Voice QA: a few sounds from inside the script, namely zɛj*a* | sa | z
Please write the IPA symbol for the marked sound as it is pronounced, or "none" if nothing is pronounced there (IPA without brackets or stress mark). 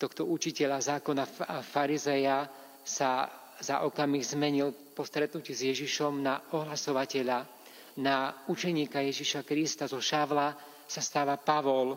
a